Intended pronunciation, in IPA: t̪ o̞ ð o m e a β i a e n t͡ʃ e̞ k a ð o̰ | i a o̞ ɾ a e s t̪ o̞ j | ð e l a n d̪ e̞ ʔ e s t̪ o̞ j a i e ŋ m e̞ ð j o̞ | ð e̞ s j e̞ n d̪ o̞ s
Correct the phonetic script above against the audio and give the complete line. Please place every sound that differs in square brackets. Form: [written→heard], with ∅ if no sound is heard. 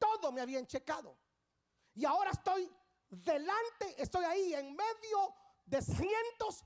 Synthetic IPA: t̪ o̞ ð o m e a β i a e n t͡ʃ e̞ k a ð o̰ | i a o̞ ɾ a e s t̪ o̞ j | ð e l a n [d̪→t̪] e̞ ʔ e s t̪ o̞ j a i e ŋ m e̞ ð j o̞ | ð e̞ s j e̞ n [d̪→t̪] o̞ s